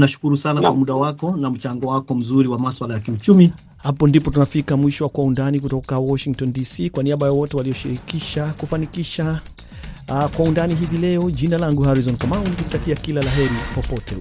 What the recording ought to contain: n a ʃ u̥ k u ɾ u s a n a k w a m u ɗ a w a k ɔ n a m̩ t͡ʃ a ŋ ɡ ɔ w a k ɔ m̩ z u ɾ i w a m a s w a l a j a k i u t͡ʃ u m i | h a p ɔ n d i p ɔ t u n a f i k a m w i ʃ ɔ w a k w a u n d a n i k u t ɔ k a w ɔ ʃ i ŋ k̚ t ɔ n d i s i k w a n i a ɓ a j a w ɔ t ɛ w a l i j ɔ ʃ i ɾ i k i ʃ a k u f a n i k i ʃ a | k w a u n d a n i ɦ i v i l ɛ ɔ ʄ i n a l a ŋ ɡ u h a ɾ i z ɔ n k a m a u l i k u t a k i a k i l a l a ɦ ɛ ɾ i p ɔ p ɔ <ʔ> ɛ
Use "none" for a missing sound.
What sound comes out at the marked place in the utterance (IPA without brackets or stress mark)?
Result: t